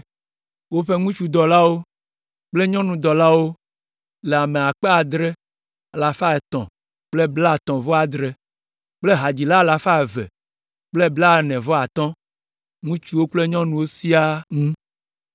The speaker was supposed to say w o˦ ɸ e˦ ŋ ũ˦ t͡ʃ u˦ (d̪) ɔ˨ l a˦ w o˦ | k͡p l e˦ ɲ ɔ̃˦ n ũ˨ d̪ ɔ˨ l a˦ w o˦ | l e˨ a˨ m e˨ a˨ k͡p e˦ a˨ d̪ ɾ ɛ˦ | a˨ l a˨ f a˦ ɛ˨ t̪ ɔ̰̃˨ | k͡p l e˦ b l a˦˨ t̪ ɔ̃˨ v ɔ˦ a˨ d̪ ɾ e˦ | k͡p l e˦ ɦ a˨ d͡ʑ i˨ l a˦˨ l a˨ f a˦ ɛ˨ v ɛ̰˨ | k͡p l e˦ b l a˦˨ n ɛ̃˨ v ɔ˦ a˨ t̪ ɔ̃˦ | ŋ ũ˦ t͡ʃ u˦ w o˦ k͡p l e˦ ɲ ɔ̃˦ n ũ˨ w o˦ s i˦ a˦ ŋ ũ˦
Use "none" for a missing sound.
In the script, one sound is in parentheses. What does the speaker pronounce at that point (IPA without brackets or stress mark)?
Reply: d̪